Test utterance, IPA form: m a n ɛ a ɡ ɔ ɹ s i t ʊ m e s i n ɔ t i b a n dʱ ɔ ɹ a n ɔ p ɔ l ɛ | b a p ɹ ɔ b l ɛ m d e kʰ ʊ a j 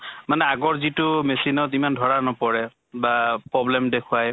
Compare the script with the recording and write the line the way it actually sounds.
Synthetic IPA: m a n ɛ a ɡ ɔ ɹ z i t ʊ m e s i n ɔ t i m a n dʱ ɔ ɹ a n ɔ p ɔ ɹ ɛ | b a p ɹ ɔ b l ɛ m d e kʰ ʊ a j

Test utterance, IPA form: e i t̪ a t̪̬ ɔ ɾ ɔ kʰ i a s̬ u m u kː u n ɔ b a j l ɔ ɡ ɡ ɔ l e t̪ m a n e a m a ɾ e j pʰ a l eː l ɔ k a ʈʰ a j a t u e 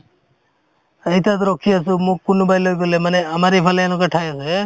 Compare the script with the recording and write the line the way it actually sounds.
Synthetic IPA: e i t̪ a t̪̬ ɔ ɾ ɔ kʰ i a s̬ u m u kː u n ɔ b a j l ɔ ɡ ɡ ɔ l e m a n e a m a ɾ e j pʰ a l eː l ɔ k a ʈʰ a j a s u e

